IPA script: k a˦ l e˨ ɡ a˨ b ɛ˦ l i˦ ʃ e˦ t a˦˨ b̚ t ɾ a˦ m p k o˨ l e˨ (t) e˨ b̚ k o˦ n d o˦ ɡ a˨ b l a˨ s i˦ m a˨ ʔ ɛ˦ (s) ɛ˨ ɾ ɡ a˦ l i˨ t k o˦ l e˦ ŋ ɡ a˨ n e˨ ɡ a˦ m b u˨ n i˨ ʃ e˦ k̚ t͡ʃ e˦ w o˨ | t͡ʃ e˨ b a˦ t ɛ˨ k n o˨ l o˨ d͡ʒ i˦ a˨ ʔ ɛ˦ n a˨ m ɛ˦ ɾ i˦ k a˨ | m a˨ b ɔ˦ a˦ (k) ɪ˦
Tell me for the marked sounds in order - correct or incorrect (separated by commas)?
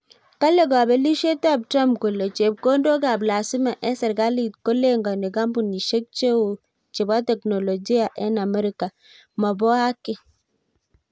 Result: incorrect, correct, correct